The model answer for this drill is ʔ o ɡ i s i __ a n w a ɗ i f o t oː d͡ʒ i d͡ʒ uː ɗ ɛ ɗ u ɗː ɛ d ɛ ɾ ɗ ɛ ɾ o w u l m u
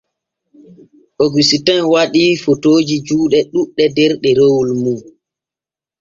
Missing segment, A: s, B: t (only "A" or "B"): B